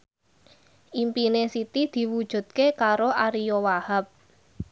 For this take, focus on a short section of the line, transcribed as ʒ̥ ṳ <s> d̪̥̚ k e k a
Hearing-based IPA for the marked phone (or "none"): none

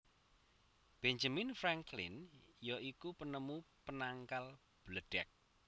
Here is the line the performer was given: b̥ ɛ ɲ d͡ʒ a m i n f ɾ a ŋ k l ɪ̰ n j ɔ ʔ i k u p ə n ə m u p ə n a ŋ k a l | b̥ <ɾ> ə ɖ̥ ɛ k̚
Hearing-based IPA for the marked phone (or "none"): l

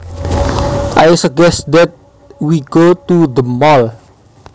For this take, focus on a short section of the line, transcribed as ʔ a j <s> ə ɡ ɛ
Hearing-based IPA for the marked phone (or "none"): s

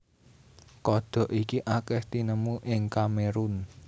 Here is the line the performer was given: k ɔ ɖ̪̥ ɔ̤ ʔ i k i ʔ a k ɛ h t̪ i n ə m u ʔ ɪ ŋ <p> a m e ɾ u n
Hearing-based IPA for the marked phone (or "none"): k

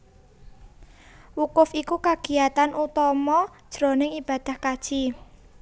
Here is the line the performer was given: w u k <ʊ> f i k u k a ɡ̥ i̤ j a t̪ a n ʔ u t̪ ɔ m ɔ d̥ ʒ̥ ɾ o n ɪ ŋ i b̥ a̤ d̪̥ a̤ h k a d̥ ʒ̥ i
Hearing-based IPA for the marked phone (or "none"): ʊ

